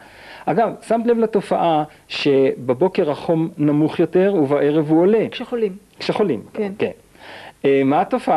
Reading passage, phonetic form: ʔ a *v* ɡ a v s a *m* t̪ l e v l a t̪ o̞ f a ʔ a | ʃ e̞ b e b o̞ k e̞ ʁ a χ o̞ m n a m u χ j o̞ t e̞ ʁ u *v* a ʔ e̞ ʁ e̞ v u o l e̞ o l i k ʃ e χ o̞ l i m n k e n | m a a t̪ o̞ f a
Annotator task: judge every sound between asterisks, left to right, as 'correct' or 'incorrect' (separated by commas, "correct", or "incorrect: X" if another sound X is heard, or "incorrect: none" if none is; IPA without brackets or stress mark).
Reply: incorrect: none, correct, correct